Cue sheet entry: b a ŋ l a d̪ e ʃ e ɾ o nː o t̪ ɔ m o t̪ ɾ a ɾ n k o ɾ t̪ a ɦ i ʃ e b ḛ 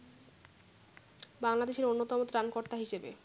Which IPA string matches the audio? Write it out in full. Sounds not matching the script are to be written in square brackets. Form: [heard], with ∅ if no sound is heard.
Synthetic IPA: b a ŋ l a d̪ e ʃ e ɾ o nː o t̪ ɔ m o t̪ ɾ a [∅] n k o ɾ t̪ a ɦ i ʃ e b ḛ